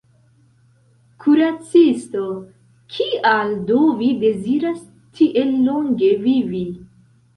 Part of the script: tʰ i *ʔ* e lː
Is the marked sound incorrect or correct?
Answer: correct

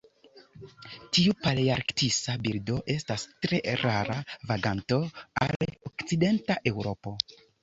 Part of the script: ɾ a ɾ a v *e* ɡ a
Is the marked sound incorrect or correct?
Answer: incorrect: a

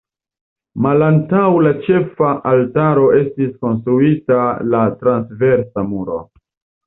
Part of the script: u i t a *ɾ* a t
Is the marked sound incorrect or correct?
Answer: incorrect: l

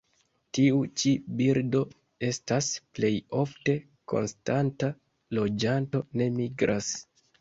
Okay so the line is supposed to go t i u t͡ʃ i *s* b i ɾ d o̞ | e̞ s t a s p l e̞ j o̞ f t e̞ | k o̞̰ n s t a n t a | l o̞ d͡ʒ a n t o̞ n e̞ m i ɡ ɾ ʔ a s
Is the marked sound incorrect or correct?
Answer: incorrect: none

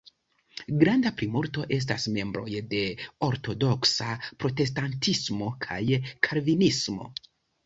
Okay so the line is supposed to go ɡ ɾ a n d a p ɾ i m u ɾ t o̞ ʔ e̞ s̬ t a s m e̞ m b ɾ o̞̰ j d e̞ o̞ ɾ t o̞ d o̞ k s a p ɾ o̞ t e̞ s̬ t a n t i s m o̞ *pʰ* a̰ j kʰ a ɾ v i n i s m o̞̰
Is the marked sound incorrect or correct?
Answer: incorrect: kʰ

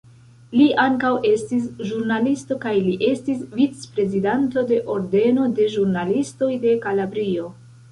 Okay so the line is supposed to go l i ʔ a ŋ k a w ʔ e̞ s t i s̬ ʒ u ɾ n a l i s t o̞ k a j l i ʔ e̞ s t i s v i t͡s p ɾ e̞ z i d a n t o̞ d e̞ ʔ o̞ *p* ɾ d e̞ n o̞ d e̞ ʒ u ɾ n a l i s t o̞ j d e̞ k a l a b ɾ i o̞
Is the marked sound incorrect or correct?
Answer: incorrect: none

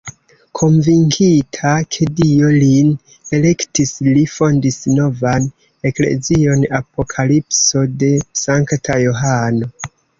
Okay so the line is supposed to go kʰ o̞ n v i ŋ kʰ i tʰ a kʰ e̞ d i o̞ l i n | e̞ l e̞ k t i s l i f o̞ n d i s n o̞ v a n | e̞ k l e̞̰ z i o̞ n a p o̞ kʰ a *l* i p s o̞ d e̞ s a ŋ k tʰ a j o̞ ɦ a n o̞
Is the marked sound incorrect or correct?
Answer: correct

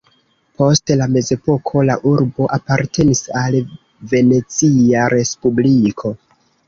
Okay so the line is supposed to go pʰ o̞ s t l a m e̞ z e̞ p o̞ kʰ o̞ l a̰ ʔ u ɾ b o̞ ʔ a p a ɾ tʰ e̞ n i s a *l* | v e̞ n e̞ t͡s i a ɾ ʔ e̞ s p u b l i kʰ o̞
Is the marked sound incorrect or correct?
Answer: correct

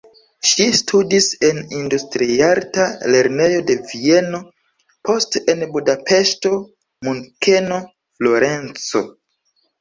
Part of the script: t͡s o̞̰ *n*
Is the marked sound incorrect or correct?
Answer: incorrect: none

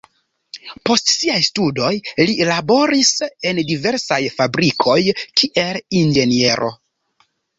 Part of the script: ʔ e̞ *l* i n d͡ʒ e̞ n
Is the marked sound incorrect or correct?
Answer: correct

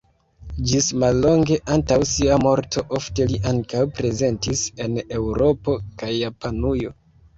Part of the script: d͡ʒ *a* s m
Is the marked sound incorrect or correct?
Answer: incorrect: i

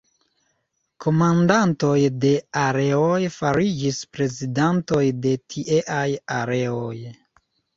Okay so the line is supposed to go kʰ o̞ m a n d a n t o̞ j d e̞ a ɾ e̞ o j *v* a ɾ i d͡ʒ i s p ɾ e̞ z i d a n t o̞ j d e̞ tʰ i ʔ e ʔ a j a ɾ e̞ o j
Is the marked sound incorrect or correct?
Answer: incorrect: f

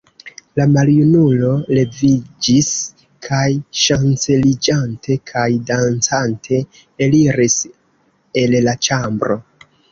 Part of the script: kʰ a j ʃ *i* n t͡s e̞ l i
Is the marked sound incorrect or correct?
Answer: incorrect: a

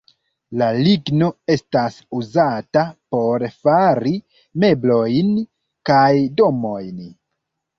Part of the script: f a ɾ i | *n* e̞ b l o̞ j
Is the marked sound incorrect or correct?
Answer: incorrect: m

